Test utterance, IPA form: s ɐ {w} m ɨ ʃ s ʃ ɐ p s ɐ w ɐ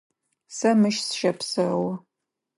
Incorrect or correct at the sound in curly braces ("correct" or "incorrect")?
incorrect